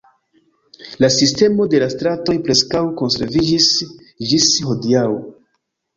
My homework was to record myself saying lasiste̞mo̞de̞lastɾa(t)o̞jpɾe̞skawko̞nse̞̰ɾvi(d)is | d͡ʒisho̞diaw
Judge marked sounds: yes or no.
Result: yes, no

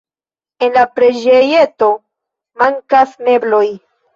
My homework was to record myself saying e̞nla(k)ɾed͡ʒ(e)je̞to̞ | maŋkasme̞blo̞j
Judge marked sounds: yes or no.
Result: no, yes

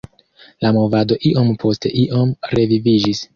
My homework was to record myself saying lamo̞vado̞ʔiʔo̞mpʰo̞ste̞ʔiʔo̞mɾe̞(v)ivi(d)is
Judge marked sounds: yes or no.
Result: yes, no

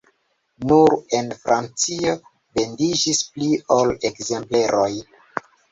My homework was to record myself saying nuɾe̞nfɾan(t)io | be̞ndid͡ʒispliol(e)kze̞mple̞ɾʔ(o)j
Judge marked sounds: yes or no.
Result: no, yes, yes

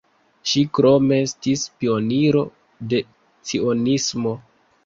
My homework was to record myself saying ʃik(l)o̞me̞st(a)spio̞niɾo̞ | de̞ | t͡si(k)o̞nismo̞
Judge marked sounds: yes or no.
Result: no, no, no

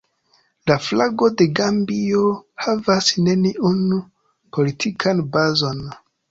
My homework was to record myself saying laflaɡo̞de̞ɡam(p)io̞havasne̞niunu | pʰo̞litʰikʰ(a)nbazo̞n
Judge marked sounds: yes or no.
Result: no, yes

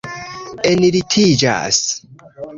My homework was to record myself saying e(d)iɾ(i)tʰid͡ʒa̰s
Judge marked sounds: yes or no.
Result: no, yes

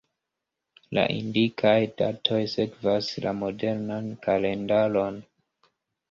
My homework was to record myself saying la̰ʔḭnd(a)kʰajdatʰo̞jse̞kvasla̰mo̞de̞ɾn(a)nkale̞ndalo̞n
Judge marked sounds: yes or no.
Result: no, yes

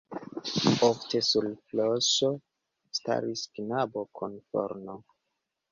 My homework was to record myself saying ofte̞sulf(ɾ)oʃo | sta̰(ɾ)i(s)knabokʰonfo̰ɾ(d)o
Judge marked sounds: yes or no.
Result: no, yes, yes, no

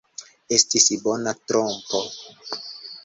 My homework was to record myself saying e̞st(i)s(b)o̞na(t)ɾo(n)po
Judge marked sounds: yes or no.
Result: yes, yes, yes, no

